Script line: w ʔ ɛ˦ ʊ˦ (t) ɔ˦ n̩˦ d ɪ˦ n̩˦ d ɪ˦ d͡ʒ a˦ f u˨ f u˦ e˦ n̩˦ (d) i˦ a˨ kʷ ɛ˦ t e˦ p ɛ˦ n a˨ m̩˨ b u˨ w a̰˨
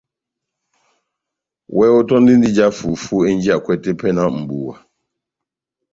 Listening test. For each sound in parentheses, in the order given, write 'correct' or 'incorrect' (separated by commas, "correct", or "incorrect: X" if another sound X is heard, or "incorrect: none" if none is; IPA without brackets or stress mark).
correct, incorrect: d͡ʒ